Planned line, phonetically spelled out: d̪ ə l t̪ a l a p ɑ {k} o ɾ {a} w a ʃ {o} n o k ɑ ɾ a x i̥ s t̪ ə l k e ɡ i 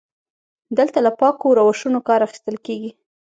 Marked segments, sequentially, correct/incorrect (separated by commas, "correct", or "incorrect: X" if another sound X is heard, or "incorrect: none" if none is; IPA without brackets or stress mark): correct, correct, incorrect: u